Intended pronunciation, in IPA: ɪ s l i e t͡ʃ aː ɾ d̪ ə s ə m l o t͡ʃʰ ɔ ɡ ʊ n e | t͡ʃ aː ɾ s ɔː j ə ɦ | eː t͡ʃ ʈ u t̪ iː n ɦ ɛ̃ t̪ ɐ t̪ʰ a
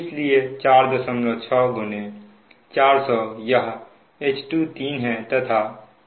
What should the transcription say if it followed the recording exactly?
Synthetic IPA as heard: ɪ s l i e t͡ʃ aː ɾ d̪ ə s ə m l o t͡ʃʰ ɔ ɡ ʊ n e | t͡ʃ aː ɾ s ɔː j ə ɦ | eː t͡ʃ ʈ u t̪ iː n ɦ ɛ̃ t̪ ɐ t̪ʰ a